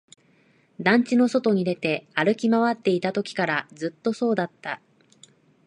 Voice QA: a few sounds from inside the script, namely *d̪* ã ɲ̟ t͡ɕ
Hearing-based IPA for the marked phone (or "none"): d̪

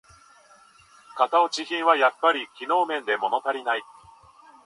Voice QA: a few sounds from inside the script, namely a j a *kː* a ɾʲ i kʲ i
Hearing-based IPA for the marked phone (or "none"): pː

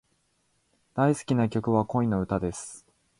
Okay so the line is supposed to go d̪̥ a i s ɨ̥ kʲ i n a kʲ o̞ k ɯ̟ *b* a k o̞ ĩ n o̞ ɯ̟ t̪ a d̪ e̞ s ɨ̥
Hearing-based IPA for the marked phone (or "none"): β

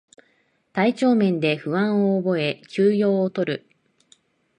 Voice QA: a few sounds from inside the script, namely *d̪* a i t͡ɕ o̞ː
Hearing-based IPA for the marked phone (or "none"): t̪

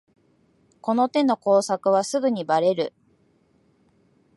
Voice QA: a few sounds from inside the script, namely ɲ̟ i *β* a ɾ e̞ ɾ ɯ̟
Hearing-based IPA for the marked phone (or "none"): b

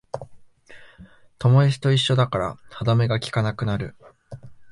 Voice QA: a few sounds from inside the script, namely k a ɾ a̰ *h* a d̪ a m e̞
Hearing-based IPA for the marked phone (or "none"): h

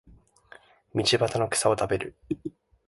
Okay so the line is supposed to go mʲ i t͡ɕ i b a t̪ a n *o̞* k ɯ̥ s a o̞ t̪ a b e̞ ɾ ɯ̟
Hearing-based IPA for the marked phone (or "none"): o̞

